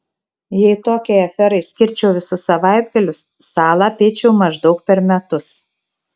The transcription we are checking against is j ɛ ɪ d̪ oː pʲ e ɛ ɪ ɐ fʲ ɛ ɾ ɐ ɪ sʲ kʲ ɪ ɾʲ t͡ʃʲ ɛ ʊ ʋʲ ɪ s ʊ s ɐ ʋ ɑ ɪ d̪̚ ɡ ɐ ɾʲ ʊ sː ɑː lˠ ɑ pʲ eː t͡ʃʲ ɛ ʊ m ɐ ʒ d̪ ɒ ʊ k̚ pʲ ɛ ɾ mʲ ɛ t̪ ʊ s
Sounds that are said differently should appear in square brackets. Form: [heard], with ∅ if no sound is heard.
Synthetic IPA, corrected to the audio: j ɛ ɪ [t̪] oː [kʲ] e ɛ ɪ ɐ fʲ ɛ ɾ ɐ ɪ sʲ kʲ ɪ ɾʲ t͡ʃʲ ɛ ʊ ʋʲ ɪ s ʊ s ɐ ʋ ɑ ɪ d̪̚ ɡ ɐ [lʲ] ʊ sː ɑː lˠ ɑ pʲ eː t͡ʃʲ ɛ ʊ m ɐ ʒ d̪ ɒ ʊ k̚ pʲ ɛ ɾ mʲ ɛ t̪ ʊ s